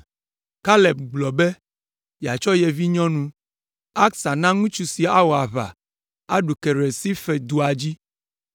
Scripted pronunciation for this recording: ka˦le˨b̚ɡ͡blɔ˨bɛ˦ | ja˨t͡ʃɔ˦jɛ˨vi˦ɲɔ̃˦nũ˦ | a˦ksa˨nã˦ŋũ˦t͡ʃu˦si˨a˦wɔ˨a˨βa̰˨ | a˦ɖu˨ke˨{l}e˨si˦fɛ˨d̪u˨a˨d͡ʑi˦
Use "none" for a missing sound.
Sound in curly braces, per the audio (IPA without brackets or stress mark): ɾ